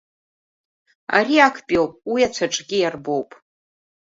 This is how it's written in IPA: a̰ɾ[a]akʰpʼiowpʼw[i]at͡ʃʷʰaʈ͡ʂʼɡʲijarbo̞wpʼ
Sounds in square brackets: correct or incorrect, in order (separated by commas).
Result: incorrect, correct